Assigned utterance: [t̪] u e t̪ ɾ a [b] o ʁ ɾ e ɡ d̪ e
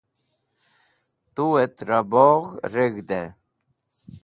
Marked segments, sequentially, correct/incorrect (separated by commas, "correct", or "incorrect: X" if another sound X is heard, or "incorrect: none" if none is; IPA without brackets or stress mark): correct, correct